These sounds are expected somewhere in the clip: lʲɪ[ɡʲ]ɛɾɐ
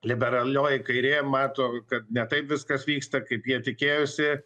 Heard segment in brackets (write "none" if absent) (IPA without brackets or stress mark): bʲ